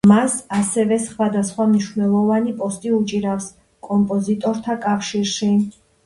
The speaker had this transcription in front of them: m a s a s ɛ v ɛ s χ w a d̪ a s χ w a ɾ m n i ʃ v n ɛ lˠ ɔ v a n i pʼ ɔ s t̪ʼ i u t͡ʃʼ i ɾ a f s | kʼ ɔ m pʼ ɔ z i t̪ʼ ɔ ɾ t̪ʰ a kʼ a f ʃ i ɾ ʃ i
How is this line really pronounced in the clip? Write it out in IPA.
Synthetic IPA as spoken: m a s a s ɛ v ɛ s χ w a d̪ a s χ w a m n i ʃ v n ɛ lˠ ɔ v a n i pʼ ɔ s t̪ʼ i u t͡ʃʼ i ɾ a f s | kʼ ɔ m pʼ ɔ z i t̪ʼ ɔ ɾ t̪ʰ a kʼ a f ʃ i ɾ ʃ i

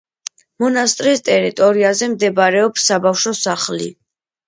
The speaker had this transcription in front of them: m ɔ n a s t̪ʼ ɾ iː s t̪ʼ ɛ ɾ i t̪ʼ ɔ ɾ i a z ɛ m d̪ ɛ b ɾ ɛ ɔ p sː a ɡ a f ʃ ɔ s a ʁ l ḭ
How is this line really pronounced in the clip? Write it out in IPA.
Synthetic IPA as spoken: m ɔ n a s t̪ʼ ɾ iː s t̪ʼ ɛ ɾ i t̪ʼ ɔ ɾ i a z ɛ m d̪ ɛ b ɾ ɛ ɔ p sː a b a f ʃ ɔ s a χ l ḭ

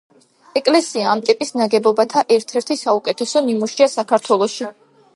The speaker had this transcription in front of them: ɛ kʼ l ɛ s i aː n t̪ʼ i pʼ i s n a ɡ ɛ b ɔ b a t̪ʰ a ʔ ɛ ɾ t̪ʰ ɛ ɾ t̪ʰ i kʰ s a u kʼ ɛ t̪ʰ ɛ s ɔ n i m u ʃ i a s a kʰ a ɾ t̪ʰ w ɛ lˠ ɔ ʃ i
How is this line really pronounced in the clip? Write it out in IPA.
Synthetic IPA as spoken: ɛ kʼ l ɛ s i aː m t̪ʼ i pʼ i s n a ɡ ɛ b ɔ b a t̪ʰ a ʔ ɛ ɾ t̪ʰ ɛ ɾ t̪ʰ i s a u kʼ ɛ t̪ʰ ɛ s ɔ n i m u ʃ i a s a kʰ a ɾ t̪ʰ w ɛ lˠ ɔ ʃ i

